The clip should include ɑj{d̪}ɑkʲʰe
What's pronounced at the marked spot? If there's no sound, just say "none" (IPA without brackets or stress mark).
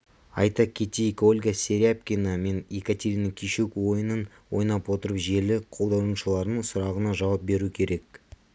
t̪